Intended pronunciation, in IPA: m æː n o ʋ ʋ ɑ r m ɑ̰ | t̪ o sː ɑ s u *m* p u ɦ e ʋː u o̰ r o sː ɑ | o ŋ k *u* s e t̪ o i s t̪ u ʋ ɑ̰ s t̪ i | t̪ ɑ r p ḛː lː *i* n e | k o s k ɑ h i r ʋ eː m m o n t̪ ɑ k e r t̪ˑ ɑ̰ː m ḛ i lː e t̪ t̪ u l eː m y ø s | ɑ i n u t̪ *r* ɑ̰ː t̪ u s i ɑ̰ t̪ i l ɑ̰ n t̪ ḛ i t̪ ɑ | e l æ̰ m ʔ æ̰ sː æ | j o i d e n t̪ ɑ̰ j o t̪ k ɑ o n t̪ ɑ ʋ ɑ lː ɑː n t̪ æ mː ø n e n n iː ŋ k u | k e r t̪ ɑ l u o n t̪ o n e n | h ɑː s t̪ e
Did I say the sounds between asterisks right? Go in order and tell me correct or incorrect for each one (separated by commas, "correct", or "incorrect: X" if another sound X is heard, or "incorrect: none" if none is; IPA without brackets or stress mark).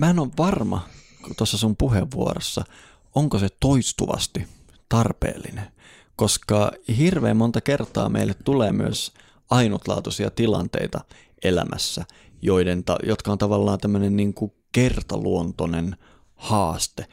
correct, incorrect: o, correct, incorrect: l